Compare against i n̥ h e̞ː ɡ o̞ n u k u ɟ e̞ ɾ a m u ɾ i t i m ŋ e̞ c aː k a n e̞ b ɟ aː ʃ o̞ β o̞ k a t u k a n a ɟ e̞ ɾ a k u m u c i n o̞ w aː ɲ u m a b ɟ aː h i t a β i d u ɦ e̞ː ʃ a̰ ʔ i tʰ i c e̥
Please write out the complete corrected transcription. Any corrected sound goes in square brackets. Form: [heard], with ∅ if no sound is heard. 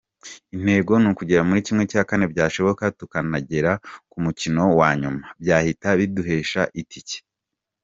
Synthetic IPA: i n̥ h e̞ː ɡ o̞ n u k u ɟ e̞ ɾ a m u ɾ i [c] i m ŋ e̞ c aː k a n e̞ b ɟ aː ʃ o̞ β o̞ k a t u k a n a ɟ e̞ ɾ a k u m u c i n o̞ w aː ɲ u m a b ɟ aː h i t a β i d u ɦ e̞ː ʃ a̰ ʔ i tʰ i c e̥